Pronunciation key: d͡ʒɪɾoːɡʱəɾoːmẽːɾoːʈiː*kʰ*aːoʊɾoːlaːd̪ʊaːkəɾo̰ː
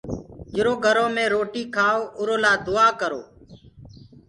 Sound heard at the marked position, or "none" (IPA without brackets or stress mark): kʰ